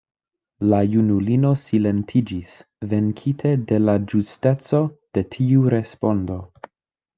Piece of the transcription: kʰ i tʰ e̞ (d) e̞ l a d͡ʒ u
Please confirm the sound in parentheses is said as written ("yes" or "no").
yes